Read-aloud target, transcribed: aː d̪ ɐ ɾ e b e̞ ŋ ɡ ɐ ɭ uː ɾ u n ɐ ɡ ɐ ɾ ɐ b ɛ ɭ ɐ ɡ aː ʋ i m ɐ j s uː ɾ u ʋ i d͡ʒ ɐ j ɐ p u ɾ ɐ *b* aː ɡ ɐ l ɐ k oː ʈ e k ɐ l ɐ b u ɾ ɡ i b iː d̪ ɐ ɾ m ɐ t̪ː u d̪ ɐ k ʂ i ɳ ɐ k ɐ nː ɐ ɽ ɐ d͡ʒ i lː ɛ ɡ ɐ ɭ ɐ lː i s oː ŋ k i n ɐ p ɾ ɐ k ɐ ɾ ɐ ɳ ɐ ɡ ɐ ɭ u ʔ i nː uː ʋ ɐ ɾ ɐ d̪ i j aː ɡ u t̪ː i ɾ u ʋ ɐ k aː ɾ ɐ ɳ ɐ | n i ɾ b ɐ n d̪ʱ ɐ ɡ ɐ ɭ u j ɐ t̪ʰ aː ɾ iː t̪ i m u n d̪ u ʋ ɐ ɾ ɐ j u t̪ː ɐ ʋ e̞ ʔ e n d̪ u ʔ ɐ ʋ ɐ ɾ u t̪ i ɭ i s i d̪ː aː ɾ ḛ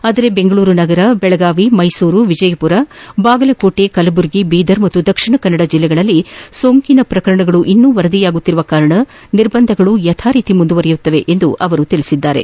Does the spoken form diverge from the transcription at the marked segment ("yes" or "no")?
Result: no